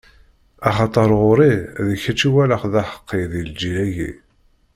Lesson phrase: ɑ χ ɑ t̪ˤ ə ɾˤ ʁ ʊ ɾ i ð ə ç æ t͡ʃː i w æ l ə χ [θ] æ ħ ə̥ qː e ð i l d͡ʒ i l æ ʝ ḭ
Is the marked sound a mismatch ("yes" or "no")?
yes